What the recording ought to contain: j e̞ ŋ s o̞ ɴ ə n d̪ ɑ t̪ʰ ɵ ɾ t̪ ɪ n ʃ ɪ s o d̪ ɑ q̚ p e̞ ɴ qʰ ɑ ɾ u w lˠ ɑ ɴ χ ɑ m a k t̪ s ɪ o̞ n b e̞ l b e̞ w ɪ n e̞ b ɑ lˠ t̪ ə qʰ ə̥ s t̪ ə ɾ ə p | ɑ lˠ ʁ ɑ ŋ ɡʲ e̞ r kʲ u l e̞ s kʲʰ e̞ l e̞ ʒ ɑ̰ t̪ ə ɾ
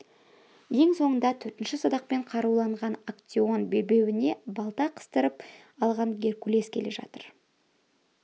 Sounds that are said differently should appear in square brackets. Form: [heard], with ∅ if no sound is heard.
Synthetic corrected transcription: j e̞ ŋ s o̞ ɴ ə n d̪ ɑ t̪ʰ ɵ ɾ t̪ ɪ n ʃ ɪ s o d̪ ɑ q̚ p e̞ ɴ qʰ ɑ ɾ u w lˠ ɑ ɴ [ʁ] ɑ [n] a k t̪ s [i] o̞ n b e̞ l b e̞ w ɪ n e̞ b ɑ lˠ t̪ [ɑ] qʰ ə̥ s t̪ ə ɾ ə p | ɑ lˠ ʁ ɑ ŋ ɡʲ e̞ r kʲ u l e̞ s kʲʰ e̞ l e̞ ʒ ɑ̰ t̪ ə ɾ